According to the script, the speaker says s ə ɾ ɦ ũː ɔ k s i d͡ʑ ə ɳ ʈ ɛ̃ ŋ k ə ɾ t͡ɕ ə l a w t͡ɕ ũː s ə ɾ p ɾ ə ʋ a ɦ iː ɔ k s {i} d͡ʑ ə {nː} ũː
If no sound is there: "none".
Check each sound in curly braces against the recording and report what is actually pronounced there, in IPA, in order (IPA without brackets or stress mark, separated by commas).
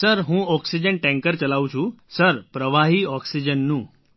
i, nː